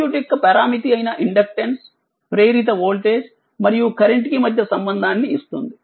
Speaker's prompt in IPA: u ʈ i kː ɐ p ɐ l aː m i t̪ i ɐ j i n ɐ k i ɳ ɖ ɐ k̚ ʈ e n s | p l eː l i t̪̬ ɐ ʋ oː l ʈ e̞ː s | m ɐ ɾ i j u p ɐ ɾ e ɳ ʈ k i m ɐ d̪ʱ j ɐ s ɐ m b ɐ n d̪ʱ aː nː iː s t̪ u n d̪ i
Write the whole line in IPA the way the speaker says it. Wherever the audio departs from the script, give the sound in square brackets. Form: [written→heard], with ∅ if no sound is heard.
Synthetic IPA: u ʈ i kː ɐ p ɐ [l→ɾ] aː m i t̪ i ɐ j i n ɐ [k→ʔ] i ɳ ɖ ɐ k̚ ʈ e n s | p [l→ɾ] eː [l→ɾ] i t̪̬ ɐ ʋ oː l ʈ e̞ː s | m ɐ ɾ i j u [p→k] ɐ ɾ e ɳ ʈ k i m ɐ d̪ʱ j ɐ s ɐ m b ɐ n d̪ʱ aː nː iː s t̪ u n d̪ i